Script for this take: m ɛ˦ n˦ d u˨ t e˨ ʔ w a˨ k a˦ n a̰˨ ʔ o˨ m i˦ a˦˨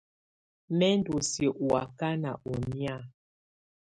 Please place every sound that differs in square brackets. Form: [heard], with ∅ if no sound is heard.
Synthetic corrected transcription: m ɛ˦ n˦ d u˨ [s] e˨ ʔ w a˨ k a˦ n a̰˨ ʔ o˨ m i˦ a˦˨